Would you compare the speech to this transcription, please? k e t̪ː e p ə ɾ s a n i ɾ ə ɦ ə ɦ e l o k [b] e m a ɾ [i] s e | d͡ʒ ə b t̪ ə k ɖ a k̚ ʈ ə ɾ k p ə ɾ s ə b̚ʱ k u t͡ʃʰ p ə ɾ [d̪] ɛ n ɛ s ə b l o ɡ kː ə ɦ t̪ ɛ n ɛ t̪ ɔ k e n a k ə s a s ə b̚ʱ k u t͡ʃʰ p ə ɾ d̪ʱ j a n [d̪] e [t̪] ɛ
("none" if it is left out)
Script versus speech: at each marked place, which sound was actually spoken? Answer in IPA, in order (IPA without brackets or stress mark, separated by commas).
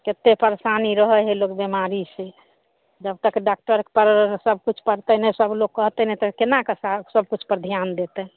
b, i, t̪, d̪, t̪